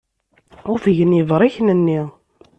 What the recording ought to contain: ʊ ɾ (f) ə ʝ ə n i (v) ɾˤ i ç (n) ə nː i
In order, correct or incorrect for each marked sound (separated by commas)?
correct, correct, correct